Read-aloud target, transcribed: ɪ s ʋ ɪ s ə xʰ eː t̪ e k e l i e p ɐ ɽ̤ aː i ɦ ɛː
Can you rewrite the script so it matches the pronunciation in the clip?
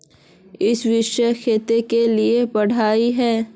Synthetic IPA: ɪ s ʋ ɪ ʃ ə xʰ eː t̪ e k e l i e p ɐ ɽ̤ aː i ɦ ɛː